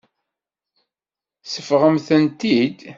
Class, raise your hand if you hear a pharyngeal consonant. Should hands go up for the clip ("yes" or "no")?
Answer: no